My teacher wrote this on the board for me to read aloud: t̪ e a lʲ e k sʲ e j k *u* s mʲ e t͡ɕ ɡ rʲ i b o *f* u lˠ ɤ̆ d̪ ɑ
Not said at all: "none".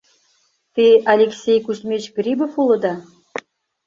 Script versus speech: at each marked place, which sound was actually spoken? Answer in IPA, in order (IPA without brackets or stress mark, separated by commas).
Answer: u, f